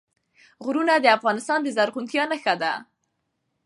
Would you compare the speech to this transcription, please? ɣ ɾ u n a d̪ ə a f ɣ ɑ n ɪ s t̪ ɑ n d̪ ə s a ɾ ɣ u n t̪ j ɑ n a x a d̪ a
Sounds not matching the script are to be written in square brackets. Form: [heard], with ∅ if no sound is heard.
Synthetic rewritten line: ɣ ɾ u n a d̪ ə a f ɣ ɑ n ɪ s t̪ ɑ n d̪ ə [z] a ɾ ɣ u n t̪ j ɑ n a x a d̪ a